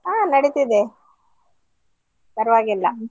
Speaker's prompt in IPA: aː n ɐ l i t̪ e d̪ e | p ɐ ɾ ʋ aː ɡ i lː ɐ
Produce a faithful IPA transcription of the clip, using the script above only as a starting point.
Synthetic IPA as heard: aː n ɐ ɽ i t̪ i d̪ e | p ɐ ɾ ʋ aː ɡ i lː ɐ